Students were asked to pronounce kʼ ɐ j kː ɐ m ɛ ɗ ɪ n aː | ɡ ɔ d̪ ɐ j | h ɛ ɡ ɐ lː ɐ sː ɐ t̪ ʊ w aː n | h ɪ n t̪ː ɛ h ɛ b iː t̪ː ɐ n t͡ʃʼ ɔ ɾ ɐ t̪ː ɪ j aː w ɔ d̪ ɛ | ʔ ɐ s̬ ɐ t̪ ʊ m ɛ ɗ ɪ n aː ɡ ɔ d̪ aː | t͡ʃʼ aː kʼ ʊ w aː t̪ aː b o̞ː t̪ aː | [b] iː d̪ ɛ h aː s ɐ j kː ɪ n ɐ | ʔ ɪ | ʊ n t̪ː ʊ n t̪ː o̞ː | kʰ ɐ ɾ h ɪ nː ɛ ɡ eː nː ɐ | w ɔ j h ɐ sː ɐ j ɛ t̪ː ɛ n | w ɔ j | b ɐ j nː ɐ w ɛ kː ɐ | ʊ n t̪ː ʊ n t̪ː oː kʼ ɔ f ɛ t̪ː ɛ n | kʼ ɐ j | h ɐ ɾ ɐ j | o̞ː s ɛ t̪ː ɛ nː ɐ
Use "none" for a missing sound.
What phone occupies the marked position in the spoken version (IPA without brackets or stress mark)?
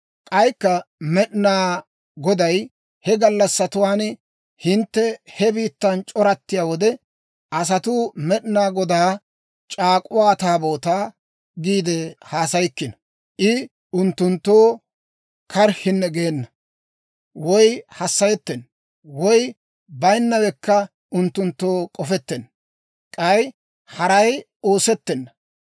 ɡ